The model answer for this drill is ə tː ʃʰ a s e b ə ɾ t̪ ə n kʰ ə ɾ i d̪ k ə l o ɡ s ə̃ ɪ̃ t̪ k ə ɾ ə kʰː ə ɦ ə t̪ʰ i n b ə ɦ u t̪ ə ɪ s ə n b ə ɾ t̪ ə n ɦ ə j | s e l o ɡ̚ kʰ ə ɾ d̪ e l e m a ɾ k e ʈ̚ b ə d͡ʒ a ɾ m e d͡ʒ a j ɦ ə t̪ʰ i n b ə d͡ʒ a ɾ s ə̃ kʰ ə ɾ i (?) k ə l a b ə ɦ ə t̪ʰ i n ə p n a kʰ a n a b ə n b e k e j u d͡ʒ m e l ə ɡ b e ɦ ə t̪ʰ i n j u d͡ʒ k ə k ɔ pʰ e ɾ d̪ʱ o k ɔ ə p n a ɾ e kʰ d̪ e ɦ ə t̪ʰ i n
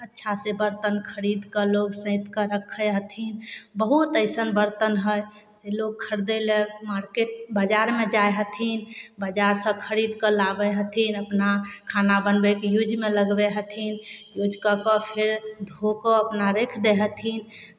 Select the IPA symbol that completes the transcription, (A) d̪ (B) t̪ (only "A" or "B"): A